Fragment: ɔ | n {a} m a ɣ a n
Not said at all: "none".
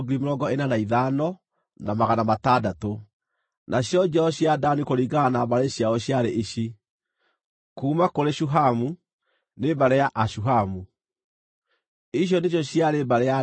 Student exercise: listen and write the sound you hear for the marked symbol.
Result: a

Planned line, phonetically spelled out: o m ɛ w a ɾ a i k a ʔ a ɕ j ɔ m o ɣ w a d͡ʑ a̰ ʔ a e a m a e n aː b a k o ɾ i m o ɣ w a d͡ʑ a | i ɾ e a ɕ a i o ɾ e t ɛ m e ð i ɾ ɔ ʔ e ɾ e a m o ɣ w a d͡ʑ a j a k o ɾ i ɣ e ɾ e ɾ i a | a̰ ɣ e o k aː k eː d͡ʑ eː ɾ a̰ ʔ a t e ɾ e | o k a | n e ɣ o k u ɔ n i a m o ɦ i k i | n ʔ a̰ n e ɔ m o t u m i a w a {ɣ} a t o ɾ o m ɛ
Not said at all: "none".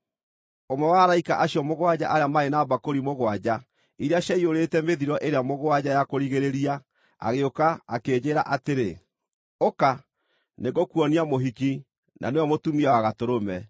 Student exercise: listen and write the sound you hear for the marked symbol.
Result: ɣ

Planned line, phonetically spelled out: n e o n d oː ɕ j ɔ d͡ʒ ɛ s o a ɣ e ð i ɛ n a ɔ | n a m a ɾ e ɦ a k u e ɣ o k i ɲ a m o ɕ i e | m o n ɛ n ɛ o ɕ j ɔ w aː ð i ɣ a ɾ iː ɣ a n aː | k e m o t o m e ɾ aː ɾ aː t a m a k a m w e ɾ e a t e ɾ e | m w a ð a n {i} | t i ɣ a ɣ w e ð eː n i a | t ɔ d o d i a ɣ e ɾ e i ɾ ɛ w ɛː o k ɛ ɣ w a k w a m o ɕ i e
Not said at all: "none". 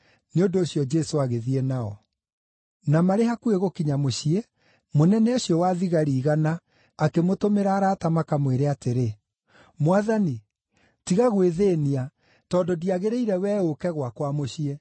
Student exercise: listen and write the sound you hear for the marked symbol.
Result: i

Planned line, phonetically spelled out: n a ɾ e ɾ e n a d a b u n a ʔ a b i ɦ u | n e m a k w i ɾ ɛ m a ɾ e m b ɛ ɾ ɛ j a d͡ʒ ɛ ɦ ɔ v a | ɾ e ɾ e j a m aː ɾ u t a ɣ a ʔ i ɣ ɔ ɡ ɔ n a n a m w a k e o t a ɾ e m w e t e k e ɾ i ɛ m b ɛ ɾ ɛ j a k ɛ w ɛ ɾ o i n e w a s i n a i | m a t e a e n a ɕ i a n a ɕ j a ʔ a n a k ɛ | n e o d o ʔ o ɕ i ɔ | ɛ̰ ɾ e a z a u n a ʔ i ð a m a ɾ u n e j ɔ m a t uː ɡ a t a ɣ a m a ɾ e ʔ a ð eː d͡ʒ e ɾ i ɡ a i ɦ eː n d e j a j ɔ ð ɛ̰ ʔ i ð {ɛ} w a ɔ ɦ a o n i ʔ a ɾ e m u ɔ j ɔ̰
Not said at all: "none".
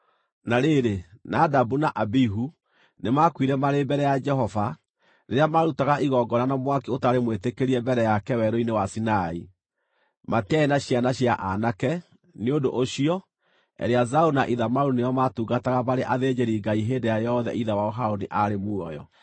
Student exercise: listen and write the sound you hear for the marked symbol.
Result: a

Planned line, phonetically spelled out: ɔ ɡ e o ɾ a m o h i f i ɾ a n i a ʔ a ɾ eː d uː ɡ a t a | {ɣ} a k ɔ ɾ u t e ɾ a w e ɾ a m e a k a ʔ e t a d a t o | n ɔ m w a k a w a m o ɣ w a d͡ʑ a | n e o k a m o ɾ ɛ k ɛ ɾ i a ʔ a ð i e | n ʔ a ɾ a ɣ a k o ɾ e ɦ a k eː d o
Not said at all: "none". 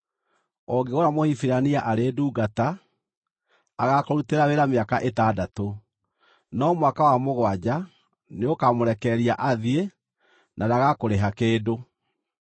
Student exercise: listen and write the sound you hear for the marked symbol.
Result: ɣ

